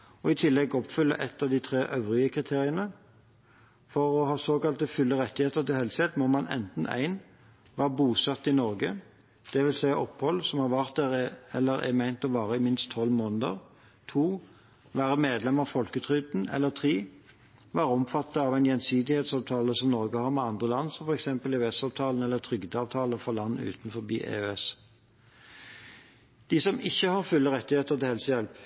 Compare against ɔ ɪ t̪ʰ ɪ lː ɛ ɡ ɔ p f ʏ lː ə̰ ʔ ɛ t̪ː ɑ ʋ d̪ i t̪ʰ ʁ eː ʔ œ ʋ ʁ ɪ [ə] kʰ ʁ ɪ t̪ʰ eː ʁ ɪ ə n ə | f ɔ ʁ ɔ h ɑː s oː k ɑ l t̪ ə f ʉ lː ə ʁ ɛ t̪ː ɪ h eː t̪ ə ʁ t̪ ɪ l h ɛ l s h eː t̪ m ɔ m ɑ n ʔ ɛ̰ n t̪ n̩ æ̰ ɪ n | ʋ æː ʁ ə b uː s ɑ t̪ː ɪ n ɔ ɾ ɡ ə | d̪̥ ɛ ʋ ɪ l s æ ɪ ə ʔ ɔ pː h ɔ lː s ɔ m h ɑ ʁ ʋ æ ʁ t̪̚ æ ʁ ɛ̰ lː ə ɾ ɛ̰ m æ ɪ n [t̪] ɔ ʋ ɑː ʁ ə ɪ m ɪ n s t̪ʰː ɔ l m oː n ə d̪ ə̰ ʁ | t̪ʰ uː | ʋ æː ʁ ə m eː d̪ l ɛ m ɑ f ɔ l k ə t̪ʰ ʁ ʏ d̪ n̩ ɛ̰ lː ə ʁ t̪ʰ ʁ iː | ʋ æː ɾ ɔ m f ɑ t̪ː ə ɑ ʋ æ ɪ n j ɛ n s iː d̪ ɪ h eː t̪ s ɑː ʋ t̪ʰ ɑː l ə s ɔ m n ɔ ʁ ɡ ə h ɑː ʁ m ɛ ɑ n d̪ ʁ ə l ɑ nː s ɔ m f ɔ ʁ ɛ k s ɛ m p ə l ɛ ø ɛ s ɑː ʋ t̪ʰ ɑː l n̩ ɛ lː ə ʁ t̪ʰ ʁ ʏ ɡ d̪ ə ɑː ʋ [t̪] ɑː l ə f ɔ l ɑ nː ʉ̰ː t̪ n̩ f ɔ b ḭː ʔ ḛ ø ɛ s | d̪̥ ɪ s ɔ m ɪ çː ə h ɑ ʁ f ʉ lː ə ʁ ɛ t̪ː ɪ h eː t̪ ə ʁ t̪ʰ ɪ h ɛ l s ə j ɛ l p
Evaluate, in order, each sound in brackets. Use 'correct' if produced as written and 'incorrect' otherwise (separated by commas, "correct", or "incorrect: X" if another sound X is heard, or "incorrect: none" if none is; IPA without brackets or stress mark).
correct, correct, incorrect: t̪ʰ